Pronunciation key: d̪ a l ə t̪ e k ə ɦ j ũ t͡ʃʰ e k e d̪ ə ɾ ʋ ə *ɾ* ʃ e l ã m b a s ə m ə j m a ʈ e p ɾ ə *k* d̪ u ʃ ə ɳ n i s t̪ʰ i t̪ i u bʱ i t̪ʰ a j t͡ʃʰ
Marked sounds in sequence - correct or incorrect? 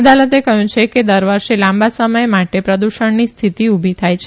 correct, incorrect: none

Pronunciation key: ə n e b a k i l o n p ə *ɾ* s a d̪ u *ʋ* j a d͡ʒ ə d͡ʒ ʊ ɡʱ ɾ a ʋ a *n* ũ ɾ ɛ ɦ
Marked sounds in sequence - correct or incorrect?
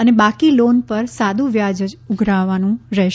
correct, correct, correct

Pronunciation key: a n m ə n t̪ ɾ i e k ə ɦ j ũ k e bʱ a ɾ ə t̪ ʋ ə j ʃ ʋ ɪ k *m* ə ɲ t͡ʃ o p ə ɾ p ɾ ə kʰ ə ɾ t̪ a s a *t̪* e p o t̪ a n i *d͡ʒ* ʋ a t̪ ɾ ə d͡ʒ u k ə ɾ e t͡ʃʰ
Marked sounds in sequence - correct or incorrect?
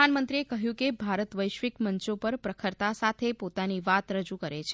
correct, incorrect: t̪ʰ, incorrect: none

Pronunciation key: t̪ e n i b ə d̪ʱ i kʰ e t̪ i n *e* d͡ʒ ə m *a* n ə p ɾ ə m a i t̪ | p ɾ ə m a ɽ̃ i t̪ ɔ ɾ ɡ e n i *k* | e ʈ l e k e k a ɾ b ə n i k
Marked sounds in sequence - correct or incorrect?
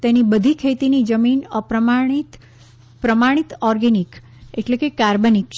incorrect: i, incorrect: i, correct

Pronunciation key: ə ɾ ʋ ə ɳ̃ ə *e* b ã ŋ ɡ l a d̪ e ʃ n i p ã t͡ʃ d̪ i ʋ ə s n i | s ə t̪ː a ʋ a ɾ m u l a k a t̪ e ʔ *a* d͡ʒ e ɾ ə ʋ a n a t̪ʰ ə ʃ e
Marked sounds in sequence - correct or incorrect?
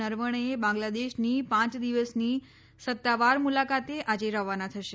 correct, correct

